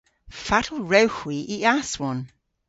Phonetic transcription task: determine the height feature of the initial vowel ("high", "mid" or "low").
low